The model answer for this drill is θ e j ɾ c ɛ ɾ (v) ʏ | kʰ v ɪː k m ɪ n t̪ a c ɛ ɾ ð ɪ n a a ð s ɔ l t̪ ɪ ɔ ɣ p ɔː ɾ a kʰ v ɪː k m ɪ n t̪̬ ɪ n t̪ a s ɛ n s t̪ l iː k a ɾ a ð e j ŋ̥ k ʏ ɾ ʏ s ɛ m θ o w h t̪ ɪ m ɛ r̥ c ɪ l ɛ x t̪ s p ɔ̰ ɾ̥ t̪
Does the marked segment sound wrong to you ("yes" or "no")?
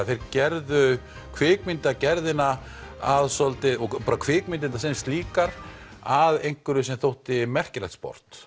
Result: yes